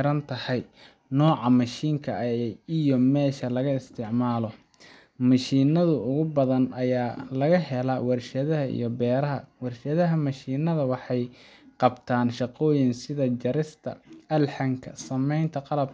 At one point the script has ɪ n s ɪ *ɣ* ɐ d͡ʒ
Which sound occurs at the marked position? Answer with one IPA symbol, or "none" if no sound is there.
ð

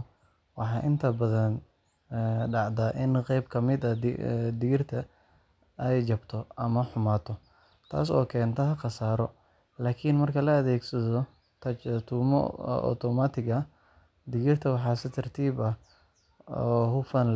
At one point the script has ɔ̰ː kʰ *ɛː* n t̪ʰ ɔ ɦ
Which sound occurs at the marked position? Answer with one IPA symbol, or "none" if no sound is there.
ɛː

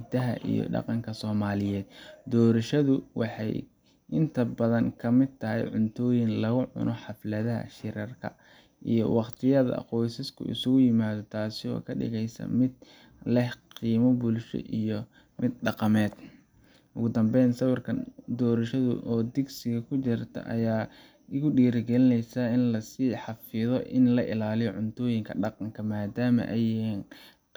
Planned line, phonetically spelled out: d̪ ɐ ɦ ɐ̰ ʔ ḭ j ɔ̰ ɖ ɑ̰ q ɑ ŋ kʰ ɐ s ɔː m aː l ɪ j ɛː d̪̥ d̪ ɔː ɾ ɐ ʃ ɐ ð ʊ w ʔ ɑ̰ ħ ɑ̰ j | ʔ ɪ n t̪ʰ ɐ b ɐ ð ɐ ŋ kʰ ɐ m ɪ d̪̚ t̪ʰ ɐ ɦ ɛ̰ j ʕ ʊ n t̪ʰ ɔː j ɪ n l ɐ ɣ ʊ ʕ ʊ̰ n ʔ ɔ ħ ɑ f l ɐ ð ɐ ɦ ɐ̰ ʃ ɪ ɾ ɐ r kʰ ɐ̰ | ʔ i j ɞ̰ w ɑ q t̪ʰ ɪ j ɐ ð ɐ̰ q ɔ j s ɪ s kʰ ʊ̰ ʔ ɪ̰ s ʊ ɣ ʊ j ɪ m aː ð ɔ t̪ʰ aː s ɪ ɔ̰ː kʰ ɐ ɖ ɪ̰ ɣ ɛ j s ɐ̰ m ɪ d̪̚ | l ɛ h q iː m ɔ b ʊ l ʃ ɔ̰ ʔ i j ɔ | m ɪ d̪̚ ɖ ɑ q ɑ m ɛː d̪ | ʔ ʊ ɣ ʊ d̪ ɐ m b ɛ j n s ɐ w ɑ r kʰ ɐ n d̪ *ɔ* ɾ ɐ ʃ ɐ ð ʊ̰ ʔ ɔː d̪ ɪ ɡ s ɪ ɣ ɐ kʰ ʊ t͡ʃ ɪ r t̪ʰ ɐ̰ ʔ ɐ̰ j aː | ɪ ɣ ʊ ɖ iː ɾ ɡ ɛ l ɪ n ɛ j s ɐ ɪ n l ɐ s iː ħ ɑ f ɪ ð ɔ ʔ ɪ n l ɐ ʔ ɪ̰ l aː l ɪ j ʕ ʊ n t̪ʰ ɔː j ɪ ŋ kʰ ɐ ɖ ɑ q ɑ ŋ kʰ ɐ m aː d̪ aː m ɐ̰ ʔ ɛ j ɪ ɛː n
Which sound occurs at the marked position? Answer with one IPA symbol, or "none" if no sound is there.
ɔː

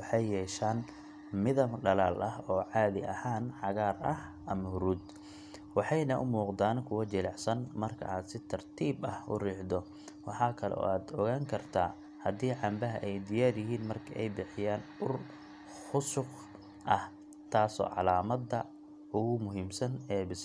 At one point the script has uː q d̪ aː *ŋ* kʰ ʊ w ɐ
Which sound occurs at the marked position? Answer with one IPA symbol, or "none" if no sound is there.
n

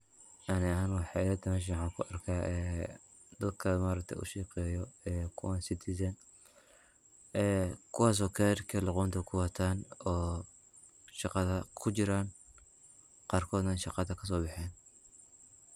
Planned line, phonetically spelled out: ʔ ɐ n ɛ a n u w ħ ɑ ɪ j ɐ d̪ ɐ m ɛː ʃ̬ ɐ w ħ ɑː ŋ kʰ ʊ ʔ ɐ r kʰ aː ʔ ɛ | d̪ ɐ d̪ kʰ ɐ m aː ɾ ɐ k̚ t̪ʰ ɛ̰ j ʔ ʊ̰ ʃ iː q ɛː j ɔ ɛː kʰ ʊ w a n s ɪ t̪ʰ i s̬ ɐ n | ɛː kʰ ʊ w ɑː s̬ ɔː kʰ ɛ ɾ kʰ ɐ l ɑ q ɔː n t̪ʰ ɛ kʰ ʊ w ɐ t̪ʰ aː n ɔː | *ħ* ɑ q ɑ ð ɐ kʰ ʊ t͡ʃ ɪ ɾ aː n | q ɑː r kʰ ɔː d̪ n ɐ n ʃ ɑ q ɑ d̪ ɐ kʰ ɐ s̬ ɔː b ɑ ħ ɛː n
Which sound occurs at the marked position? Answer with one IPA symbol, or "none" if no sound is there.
ʃ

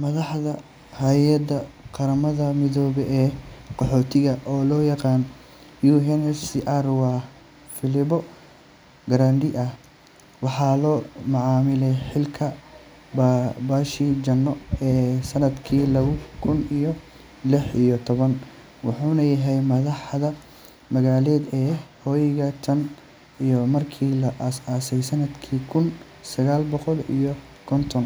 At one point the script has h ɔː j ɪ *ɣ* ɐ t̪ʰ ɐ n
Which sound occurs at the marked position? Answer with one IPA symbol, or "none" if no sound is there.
ɣ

